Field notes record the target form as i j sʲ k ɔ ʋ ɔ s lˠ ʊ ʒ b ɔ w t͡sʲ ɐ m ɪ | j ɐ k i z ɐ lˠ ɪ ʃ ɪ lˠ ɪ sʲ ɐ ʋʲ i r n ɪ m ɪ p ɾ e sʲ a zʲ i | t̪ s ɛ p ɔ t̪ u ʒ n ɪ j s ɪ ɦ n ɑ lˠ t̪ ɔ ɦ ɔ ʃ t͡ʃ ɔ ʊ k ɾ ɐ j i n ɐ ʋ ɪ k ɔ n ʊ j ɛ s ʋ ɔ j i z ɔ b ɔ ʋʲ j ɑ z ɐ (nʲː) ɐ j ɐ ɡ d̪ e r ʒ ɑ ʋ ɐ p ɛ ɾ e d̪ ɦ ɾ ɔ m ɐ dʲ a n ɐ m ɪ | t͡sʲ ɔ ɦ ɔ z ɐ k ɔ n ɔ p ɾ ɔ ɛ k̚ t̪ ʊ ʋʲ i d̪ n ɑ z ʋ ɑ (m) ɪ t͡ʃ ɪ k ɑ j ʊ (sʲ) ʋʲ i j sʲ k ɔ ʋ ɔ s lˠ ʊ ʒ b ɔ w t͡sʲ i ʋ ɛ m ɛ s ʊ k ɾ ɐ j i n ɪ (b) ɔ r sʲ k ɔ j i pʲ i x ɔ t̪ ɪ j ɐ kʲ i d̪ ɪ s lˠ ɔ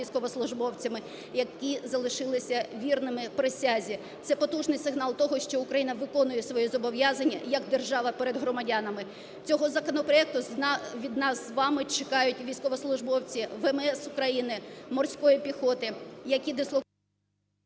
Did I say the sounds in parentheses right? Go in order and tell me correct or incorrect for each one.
correct, correct, incorrect: tʲ, incorrect: m

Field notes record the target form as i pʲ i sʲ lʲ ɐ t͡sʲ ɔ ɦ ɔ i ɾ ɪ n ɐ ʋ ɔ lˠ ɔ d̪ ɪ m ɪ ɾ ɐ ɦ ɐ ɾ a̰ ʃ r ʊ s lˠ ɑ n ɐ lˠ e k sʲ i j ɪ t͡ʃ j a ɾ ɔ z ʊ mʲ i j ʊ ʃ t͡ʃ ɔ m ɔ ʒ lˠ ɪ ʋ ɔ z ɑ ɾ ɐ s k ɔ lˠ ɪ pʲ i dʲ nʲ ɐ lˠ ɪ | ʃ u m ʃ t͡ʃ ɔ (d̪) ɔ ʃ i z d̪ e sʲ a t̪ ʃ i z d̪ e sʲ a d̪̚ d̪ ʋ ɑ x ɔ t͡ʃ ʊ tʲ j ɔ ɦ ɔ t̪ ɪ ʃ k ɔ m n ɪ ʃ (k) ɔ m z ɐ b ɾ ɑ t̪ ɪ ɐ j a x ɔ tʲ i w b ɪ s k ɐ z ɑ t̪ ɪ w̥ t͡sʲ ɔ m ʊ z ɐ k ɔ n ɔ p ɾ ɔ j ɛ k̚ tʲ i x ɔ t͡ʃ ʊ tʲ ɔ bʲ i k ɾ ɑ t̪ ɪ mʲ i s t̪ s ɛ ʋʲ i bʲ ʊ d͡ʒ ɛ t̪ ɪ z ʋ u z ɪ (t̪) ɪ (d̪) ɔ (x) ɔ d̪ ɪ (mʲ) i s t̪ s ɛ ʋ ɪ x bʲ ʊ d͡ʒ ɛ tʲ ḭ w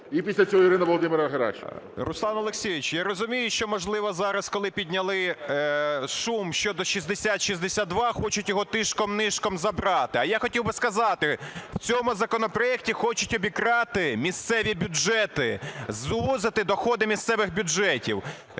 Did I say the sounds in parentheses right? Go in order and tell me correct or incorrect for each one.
correct, correct, correct, correct, correct, correct

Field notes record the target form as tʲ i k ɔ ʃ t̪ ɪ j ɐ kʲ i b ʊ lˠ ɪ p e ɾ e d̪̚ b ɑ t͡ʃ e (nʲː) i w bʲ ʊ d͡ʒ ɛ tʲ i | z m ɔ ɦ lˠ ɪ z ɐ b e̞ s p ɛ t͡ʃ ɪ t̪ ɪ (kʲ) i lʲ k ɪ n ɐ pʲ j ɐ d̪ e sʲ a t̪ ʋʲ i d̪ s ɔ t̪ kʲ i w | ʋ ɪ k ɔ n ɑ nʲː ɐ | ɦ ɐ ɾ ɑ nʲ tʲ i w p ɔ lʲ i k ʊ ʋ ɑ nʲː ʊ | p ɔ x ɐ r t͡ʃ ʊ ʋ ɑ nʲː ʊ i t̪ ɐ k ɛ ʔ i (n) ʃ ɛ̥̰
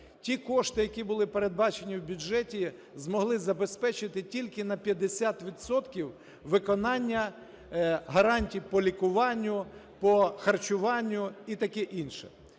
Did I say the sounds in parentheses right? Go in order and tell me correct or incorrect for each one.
incorrect: nʲ, incorrect: tʲ, correct

